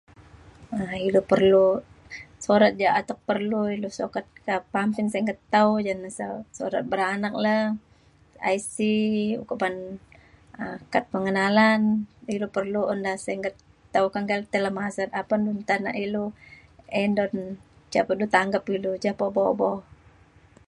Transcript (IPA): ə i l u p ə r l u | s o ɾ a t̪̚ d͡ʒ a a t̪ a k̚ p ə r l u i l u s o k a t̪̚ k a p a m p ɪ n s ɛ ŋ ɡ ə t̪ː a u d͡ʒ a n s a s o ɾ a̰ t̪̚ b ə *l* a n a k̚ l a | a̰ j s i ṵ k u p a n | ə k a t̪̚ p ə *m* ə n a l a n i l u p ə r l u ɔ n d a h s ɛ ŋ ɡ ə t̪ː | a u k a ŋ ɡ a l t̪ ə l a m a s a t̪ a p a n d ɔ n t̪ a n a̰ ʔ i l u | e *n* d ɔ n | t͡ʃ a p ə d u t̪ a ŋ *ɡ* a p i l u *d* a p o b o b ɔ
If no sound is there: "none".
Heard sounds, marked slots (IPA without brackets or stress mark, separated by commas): ɾ, ŋ, n, ɡ, d͡ʒ